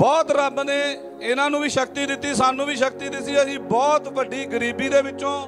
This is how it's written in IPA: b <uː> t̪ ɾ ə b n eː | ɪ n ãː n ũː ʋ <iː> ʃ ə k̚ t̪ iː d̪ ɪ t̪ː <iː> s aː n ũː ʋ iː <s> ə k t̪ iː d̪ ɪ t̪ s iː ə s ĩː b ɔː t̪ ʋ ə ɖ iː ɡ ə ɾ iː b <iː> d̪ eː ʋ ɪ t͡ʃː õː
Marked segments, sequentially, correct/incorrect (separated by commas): incorrect, correct, correct, incorrect, correct